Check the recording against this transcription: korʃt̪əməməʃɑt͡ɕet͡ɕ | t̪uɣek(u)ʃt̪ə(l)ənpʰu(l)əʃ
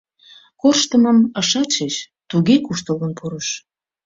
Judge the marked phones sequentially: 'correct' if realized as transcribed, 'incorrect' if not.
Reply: correct, correct, incorrect: ɾ

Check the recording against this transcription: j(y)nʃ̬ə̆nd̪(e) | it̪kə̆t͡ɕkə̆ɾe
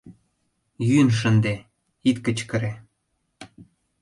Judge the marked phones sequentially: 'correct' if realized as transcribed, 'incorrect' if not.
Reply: correct, correct

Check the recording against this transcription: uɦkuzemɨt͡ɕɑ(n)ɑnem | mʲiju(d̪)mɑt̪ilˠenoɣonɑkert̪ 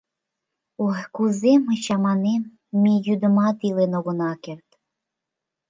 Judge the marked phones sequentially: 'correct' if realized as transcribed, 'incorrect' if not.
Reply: incorrect: m, correct

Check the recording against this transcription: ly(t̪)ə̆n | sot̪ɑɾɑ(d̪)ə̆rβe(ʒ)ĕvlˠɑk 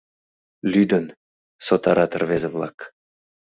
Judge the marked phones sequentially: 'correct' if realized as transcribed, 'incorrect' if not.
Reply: incorrect: d̪, incorrect: t̪, incorrect: z

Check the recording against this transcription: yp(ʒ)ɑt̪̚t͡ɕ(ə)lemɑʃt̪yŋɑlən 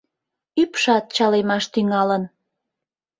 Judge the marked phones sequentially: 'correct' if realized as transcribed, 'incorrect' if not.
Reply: incorrect: ʃ, incorrect: ɑ

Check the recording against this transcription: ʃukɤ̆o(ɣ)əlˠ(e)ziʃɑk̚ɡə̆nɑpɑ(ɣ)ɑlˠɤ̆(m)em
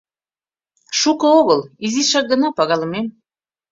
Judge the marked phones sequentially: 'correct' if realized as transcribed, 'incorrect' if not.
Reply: correct, incorrect: i, correct, correct

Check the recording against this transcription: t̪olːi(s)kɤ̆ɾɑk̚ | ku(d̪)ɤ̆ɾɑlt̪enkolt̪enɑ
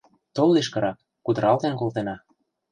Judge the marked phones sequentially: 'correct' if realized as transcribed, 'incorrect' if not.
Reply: incorrect: ʃ, correct

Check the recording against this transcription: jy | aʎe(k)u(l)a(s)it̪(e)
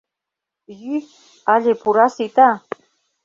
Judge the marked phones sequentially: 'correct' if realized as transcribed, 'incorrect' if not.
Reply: incorrect: p, incorrect: ɾ, correct, incorrect: a

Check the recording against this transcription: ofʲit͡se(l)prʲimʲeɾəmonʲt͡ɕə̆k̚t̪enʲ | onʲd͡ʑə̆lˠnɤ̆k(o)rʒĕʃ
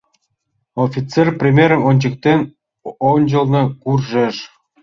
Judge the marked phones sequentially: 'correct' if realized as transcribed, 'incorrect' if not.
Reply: incorrect: r, incorrect: u

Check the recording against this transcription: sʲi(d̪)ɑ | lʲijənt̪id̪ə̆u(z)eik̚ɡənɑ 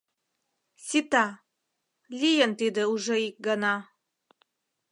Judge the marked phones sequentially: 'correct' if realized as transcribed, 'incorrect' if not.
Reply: incorrect: t̪, incorrect: ʒ

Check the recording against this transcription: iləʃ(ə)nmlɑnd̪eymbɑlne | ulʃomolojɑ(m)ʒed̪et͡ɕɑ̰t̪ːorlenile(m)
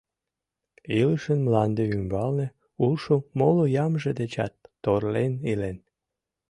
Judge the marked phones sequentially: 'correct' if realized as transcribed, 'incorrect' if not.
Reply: correct, correct, incorrect: n

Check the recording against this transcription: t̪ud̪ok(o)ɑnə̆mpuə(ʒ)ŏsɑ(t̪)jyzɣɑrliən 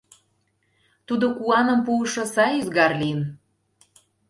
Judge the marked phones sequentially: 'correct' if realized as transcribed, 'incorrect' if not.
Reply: incorrect: u, incorrect: ʃ, incorrect: none

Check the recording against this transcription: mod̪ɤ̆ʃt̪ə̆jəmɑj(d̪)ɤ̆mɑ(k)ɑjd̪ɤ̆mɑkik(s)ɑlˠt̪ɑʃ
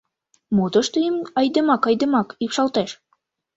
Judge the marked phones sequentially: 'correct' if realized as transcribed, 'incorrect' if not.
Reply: correct, correct, incorrect: ʃ

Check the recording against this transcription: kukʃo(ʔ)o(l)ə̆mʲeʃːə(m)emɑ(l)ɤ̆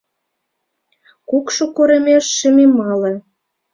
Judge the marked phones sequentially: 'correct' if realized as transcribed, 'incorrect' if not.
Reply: incorrect: k, incorrect: ɾ, correct, correct

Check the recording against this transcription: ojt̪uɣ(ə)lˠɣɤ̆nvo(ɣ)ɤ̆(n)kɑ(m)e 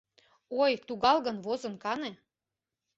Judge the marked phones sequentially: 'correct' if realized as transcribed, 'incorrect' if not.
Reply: incorrect: ɑ, incorrect: z, correct, incorrect: n

